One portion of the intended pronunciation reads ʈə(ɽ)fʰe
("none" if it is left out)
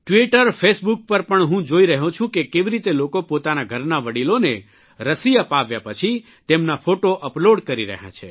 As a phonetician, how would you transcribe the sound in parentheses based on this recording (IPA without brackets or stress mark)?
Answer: ɾ